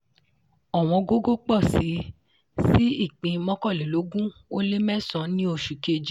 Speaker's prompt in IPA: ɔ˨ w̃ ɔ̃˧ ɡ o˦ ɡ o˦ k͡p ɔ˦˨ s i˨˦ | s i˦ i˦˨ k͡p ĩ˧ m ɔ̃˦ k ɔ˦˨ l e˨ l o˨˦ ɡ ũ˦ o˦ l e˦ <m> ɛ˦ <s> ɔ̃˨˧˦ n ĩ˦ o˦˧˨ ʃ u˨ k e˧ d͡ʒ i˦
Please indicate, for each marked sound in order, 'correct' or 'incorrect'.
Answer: correct, correct

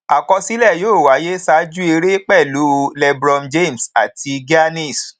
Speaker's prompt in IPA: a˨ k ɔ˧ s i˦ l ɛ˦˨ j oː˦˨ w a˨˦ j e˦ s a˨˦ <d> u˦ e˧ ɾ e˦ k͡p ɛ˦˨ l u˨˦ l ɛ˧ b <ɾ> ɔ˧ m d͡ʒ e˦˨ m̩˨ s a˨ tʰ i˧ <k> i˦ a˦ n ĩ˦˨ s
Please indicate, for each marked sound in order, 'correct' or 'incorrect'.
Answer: incorrect: d͡ʒ, correct, incorrect: ɡ

